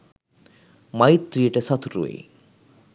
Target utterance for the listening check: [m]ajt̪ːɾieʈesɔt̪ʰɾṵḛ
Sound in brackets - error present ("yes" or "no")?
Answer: no